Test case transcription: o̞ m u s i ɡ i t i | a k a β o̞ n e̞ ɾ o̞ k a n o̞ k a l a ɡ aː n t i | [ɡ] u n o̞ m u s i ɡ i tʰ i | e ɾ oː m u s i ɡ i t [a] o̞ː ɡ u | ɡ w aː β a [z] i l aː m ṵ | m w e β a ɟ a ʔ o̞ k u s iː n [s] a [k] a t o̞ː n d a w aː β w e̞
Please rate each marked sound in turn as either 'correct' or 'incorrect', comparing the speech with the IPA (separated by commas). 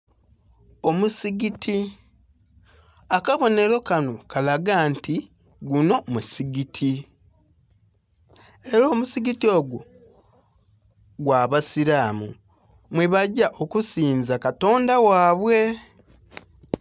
correct, incorrect, incorrect, incorrect, correct